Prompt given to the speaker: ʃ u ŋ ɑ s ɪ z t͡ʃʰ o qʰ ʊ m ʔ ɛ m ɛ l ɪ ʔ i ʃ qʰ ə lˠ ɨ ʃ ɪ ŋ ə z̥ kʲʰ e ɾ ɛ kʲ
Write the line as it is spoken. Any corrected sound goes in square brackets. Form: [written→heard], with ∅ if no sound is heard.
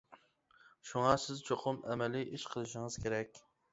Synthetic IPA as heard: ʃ u ŋ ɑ s ɪ z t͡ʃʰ o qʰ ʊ m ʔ ɛ m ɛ l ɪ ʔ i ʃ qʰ ə lˠ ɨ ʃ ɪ ŋ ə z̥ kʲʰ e ɾ ɛ kʲ

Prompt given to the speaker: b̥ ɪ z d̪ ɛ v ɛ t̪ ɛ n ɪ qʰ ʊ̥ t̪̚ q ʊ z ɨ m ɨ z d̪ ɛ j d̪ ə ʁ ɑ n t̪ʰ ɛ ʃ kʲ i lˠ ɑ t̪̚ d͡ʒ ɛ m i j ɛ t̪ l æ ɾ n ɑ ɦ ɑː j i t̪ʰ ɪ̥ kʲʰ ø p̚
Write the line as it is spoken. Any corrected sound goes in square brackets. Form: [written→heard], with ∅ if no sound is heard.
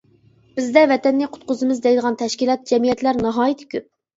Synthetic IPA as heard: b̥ ɪ z d̪ ɛ v ɛ t̪ ɛ [n→nː] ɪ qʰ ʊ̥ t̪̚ q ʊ z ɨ m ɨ z d̪ ɛ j d̪ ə ʁ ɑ n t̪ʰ ɛ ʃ kʲ i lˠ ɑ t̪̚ d͡ʒ ɛ m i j ɛ t̪ l æ ɾ n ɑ ɦ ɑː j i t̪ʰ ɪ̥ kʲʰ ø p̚

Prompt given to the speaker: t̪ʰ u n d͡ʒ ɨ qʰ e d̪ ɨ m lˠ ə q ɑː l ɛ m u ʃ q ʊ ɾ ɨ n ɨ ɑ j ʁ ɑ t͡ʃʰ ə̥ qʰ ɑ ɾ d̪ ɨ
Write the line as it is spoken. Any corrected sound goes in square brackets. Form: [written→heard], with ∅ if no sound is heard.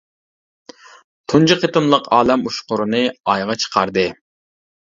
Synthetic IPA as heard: t̪ʰ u n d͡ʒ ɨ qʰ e [d̪→t̪] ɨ m lˠ ə q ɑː l ɛ m u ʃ q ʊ ɾ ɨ n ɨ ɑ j ʁ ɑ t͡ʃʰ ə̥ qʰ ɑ ɾ d̪ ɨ

